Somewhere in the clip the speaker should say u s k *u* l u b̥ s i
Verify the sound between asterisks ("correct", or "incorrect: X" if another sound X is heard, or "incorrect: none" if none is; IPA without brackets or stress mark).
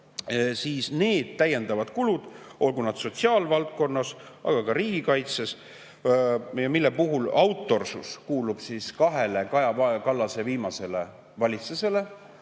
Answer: incorrect: uː